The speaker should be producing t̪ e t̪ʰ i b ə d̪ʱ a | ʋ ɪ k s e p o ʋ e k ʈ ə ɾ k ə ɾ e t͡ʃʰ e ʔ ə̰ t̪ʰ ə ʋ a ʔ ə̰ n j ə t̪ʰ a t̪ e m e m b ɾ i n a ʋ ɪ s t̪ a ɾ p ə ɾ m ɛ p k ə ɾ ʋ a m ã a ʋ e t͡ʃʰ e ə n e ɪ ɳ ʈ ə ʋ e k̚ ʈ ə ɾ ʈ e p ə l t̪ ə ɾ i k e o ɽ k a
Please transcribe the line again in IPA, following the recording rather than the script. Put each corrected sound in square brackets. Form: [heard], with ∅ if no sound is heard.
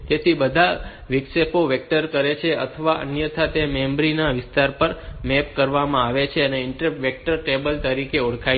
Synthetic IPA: t̪ e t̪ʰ i b ə d̪ʱ a | ʋ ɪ k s e p o ʋ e k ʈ ə ɾ k ə ɾ e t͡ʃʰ e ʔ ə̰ t̪ʰ ə ʋ a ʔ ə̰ n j ə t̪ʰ a t̪ e m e m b ɾ i n a ʋ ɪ s t̪ a ɾ p ə ɾ m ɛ p k ə ɾ ʋ a m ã a ʋ e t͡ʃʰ e ə n e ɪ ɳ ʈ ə ʋ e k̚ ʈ ə ɾ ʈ e [b] ə l t̪ ə ɾ i k e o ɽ [kʰ] a